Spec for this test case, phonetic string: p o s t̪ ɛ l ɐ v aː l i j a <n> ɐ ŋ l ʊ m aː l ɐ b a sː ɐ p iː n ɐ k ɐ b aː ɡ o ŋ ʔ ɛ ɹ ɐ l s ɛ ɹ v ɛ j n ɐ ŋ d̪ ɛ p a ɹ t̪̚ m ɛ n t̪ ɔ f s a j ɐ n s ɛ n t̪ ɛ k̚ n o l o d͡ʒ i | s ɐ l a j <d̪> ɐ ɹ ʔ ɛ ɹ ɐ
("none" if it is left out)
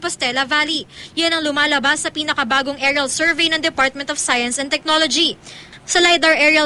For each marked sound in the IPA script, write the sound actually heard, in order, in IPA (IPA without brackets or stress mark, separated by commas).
n, d̪